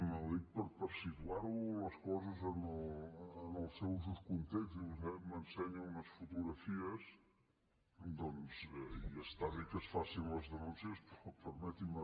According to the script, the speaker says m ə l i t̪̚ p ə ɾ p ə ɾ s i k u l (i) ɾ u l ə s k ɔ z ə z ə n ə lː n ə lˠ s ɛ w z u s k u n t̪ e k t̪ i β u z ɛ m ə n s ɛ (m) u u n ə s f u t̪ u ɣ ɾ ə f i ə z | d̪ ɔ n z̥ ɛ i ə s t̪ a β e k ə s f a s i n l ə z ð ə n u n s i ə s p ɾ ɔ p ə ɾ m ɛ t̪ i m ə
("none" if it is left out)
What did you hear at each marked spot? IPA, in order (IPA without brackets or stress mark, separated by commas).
a, ɲ